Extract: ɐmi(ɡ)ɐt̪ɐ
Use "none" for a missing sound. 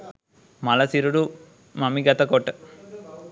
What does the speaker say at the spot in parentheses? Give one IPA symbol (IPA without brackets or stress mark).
ɡ